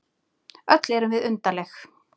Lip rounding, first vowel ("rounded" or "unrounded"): rounded